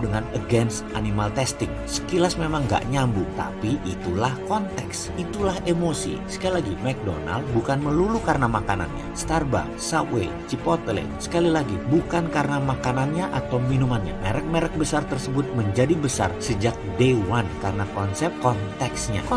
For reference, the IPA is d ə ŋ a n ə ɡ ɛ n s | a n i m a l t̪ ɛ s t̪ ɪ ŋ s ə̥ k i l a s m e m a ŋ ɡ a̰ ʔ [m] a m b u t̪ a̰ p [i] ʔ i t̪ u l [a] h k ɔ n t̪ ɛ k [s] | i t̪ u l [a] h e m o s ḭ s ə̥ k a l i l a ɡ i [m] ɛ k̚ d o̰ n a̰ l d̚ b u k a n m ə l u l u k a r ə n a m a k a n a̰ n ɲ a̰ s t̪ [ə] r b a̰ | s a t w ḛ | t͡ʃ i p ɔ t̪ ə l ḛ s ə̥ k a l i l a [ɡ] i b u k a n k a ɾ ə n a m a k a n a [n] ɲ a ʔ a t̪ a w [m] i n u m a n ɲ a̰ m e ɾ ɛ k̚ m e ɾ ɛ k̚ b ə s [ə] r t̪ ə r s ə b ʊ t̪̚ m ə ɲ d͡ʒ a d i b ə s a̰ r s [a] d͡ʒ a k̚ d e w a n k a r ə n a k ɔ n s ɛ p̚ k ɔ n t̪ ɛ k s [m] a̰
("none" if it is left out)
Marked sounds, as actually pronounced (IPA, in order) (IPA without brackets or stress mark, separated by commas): ɲ, i, a, s, a, m, a, ɡ, n, m, a, ə, ɲ